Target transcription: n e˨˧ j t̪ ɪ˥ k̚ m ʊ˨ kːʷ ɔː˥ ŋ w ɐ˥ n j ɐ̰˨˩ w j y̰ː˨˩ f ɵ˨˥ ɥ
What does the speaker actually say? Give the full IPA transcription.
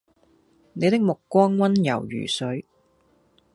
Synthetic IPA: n e˨˧ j t̪ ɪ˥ k̚ m ʊ˨ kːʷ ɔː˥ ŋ w ɐ˥ n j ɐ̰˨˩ w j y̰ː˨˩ s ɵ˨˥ ɥ

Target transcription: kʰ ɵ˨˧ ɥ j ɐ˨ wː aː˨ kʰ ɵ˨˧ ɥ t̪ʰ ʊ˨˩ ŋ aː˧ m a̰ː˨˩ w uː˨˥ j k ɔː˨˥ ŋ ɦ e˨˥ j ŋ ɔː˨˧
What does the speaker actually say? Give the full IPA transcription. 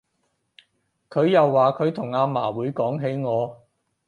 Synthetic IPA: kʰ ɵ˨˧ ɥ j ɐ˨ wː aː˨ kʰ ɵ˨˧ ɥ t̪ʰ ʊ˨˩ ŋ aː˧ m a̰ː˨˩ w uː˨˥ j k ɔː˨˥ ŋ ɦ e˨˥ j ŋ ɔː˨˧

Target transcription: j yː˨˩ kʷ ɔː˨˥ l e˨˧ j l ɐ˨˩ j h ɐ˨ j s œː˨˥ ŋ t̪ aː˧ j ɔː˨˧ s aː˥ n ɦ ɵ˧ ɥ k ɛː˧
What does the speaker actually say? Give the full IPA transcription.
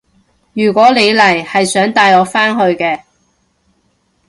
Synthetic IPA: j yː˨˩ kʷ ɔː˨˥ l e˨˧ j l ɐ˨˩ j h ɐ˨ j s œː˨˥ ŋ t̪ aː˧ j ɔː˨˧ f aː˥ n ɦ ɵ˧ ɥ k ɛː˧

